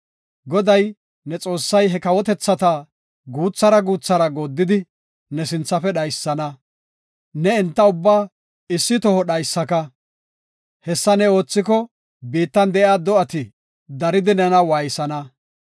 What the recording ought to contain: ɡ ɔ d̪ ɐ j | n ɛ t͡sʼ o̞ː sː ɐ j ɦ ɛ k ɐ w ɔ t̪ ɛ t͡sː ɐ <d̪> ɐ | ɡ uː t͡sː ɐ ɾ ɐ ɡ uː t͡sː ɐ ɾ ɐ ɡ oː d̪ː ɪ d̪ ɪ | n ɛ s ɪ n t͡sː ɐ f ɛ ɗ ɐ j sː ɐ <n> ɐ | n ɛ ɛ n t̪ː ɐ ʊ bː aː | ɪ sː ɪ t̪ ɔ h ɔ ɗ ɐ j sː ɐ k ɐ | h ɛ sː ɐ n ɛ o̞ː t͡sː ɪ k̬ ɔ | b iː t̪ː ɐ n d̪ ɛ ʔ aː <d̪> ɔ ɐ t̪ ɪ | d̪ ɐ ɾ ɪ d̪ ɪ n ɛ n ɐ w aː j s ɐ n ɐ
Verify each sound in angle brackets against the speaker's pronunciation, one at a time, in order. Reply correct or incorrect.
incorrect: t̪, correct, correct

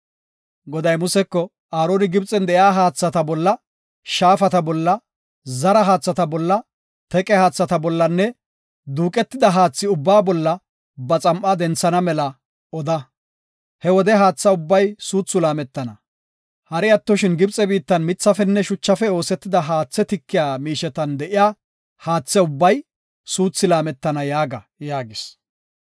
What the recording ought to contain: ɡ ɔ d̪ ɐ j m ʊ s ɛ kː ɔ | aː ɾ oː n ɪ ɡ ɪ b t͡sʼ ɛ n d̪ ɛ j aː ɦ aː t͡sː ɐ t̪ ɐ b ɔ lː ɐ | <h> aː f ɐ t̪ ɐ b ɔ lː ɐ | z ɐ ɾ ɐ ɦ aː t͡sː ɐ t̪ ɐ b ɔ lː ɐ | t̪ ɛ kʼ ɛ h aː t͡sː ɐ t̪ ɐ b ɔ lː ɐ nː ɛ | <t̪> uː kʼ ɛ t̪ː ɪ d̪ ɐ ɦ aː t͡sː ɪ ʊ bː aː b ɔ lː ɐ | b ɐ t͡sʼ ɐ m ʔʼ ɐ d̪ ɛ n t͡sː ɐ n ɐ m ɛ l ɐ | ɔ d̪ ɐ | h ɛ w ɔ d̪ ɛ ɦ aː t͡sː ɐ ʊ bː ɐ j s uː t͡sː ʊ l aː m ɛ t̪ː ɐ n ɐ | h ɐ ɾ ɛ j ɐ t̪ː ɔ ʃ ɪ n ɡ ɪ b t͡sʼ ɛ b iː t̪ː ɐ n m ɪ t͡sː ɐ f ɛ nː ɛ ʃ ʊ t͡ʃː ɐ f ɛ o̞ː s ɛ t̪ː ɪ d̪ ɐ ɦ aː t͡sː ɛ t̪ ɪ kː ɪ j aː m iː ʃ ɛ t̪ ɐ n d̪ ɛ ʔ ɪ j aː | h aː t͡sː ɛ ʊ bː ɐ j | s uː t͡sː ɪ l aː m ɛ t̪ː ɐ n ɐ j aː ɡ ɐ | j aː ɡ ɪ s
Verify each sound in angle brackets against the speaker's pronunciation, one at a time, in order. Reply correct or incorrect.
incorrect: ʃ, incorrect: d̪

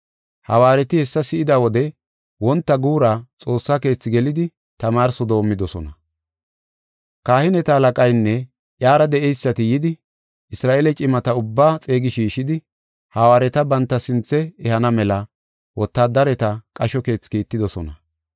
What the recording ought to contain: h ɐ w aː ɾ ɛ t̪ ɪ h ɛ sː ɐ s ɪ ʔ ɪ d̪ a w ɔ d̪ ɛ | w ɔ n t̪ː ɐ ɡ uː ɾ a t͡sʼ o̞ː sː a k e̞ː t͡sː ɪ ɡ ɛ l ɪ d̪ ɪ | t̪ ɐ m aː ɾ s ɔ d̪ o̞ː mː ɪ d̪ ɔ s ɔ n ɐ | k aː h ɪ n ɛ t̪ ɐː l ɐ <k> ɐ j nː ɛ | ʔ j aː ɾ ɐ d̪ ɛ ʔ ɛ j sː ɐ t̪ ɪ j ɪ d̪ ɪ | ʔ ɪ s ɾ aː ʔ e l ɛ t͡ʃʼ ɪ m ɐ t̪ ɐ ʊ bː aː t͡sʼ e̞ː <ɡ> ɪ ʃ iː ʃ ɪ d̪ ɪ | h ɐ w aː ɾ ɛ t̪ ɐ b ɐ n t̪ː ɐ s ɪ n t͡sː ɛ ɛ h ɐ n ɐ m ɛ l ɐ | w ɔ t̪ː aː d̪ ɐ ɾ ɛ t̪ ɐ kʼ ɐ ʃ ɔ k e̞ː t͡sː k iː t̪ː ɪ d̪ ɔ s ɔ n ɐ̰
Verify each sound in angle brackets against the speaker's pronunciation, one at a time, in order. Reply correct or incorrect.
incorrect: kʼ, correct

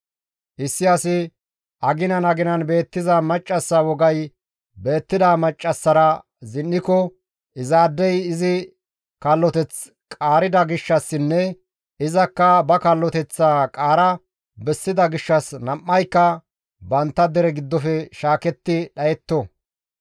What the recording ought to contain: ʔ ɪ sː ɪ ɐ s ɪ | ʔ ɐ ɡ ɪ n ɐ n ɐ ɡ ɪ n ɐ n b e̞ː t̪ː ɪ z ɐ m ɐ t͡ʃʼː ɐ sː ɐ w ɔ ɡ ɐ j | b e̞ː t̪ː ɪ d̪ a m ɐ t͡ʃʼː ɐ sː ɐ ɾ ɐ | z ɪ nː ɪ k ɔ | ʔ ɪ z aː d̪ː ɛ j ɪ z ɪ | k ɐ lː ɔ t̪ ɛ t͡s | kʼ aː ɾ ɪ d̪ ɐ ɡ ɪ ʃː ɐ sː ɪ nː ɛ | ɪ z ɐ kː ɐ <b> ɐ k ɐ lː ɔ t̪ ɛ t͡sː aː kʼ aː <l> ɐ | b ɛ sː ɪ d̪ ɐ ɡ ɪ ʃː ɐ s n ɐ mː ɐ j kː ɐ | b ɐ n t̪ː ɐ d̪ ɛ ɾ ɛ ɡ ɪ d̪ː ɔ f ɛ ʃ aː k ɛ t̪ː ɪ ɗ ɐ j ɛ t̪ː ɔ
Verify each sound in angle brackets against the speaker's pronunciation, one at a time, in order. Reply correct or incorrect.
correct, incorrect: ɾ

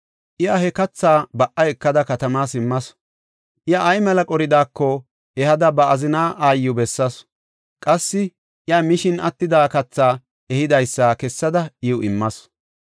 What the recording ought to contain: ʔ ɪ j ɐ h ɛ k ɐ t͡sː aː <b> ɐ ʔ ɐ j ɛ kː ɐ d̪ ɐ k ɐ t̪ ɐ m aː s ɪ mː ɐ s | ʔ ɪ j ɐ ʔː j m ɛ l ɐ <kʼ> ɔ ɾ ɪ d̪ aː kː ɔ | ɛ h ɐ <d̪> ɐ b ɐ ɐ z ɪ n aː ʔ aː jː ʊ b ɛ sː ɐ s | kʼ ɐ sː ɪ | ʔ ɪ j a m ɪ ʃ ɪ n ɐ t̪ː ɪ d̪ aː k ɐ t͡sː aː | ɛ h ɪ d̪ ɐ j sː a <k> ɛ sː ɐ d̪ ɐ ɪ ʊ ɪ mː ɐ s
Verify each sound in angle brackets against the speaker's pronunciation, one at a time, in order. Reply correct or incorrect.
correct, correct, correct, correct

